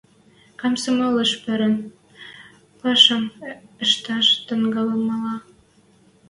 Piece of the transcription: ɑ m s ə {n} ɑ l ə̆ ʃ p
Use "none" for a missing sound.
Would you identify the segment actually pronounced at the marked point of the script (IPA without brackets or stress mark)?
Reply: m